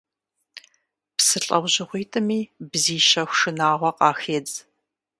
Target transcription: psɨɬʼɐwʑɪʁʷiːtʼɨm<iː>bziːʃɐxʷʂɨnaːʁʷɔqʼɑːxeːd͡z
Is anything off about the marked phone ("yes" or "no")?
no